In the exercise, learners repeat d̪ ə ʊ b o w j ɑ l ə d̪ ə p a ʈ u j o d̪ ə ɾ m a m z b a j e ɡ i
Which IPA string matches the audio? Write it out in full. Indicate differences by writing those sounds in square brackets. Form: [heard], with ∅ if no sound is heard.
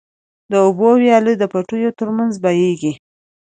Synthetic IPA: d̪ ə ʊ b o w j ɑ l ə d̪ ə p a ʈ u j o [t̪] ə ɾ m a [n] z b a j e ɡ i